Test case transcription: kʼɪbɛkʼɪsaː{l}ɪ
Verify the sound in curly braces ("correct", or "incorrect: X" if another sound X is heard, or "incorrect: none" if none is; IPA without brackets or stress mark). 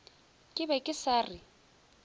incorrect: r